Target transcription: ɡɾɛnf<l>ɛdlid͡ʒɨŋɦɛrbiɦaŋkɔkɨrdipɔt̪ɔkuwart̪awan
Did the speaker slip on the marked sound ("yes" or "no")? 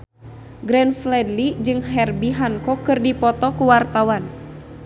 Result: no